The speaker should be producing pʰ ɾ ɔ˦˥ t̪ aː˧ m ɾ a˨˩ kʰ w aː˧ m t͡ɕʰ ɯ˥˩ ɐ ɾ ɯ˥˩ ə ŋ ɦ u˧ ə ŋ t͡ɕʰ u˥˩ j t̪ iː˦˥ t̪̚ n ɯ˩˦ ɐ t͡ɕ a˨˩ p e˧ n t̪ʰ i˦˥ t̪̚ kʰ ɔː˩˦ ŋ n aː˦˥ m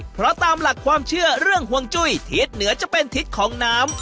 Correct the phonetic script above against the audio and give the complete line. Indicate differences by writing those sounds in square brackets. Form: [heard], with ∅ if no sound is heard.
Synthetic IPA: pʰ ɾ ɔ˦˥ t̪ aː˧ m [l] a˨˩ kʰ w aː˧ m t͡ɕʰ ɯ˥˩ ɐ ɾ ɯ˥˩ ə ŋ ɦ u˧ ə ŋ [t͡ɕ] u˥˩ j [t̪ʰ] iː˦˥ t̪̚ n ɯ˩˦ ɐ t͡ɕ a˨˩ p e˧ n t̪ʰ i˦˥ t̪̚ kʰ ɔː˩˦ ŋ n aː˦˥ m